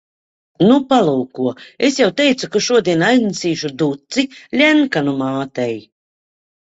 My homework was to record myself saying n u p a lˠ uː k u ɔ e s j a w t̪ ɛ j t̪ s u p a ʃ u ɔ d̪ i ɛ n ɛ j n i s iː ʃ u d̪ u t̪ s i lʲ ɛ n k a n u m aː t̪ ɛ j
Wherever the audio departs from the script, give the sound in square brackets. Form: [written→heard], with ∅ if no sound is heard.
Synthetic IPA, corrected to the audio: n u p a lˠ uː k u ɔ e s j a w t̪ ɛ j t̪ s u [p→k] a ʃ u ɔ d̪ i ɛ n [ɛ→a] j n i s iː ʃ u d̪ u t̪ s i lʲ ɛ n k a n u m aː t̪ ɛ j